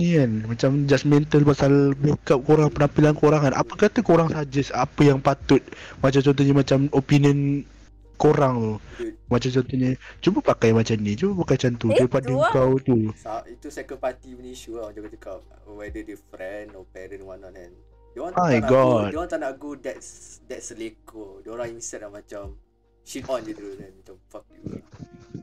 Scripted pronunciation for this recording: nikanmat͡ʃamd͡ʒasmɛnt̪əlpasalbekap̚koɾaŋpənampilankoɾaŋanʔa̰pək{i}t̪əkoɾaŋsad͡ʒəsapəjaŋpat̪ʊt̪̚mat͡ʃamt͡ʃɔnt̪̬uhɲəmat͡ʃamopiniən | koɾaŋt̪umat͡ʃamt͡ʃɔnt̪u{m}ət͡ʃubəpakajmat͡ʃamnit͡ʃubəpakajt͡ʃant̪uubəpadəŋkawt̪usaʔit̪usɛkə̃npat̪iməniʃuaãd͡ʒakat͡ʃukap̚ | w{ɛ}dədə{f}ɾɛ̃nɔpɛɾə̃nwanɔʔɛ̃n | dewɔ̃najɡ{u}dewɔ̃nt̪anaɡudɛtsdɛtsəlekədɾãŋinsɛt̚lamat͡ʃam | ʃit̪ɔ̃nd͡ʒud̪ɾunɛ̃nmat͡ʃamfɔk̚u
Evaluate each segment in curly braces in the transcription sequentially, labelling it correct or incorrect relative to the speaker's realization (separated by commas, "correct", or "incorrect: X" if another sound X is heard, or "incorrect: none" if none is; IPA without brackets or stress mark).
incorrect: a, incorrect: ɲ, correct, correct, incorrect: ɔ